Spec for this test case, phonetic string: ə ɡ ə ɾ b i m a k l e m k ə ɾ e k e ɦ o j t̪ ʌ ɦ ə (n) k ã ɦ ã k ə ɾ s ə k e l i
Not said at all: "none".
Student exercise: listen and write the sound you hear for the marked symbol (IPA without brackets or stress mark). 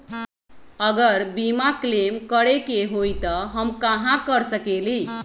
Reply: m